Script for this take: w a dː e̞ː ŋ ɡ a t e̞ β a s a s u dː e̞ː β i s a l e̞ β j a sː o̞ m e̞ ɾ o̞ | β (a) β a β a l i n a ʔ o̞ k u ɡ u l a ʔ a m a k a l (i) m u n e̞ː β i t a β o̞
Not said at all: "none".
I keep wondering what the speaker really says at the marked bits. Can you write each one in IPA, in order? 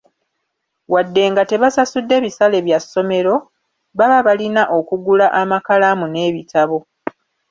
a, a

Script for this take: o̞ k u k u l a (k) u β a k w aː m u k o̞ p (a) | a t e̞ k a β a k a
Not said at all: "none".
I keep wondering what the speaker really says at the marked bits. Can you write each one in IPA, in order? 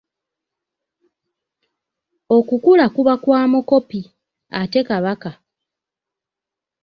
k, i

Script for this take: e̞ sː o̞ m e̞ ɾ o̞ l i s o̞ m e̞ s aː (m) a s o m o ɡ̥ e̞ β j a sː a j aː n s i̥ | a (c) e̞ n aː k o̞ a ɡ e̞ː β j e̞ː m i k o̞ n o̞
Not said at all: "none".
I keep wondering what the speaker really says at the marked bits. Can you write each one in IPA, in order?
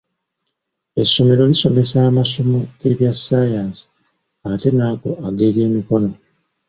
m, t

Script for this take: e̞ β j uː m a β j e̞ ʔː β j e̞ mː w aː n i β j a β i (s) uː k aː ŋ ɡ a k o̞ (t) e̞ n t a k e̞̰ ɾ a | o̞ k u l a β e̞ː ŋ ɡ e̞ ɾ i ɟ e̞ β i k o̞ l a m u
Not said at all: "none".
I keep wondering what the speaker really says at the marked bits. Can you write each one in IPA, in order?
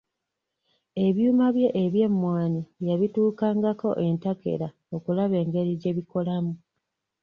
t, ʔ

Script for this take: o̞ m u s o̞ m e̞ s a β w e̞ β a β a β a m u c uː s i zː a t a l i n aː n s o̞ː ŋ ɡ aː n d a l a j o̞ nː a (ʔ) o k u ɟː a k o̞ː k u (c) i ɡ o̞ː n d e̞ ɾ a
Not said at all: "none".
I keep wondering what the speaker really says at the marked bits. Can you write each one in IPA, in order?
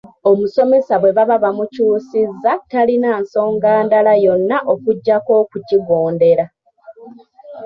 ʔ, c

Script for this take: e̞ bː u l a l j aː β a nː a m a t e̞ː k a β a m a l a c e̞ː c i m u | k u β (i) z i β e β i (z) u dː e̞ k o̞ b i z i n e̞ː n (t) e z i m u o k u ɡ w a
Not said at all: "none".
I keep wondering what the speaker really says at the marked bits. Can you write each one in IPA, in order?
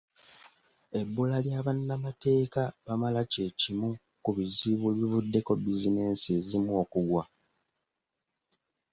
i, v, s

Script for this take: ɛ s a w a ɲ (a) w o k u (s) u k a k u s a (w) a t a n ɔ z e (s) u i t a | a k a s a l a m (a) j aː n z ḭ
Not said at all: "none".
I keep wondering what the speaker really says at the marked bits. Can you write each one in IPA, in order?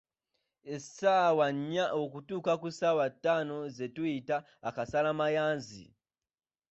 a, t, w, t, a

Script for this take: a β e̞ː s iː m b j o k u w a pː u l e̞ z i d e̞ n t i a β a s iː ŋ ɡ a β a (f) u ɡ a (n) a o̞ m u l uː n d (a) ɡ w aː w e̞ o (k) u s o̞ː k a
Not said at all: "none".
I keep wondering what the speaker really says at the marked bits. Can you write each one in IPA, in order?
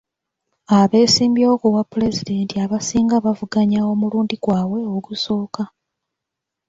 v, ɲ, i, ɡ

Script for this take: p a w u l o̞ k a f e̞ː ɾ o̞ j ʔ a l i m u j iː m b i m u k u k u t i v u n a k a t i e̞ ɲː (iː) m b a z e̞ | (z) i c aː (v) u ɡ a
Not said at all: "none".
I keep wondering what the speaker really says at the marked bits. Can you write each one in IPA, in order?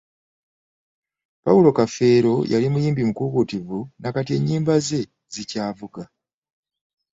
iː, z, v

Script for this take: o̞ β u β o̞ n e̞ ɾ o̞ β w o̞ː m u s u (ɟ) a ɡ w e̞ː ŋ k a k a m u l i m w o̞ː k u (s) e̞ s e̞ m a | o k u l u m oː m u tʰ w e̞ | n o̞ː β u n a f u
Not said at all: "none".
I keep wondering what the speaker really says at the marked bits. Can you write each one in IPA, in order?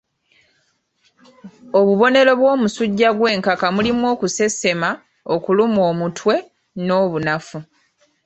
ɟː, s

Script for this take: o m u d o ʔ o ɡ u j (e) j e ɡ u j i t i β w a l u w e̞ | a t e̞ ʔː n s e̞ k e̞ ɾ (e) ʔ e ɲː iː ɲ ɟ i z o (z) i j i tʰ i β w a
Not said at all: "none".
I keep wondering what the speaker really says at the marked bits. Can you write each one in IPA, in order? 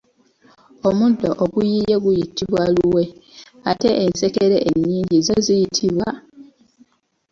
i, e, z

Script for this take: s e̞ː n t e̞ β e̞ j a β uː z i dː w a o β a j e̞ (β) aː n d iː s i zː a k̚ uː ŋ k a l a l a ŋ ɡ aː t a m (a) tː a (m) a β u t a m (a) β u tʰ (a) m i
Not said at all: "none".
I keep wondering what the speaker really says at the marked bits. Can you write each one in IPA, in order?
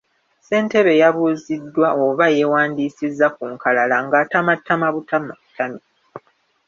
w, a, m, a, a

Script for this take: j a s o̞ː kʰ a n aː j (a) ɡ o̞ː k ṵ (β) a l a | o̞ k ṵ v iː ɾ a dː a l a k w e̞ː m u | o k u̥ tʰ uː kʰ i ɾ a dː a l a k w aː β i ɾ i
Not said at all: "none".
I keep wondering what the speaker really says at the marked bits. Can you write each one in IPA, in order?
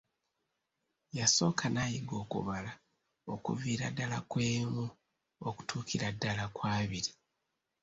i, β

